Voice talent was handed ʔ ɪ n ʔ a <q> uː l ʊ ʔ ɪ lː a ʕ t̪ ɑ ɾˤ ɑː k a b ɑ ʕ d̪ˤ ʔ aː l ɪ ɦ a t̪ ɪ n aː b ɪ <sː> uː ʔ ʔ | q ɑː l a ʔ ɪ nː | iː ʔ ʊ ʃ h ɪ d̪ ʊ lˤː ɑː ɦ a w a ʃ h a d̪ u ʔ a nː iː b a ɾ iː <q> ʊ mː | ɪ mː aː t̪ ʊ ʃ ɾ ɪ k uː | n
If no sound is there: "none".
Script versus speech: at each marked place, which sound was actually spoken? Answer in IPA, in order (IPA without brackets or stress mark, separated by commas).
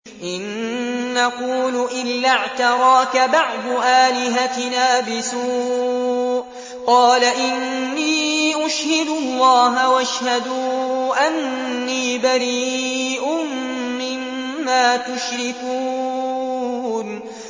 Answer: q, s, ʔ